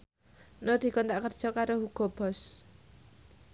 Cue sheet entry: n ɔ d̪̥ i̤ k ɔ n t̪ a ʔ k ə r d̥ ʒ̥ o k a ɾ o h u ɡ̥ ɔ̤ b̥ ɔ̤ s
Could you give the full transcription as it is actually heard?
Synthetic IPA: n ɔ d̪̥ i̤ k ɔ n t̪ a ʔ k ə r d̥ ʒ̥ ɔ k a ɾ o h u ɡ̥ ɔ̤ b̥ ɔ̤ s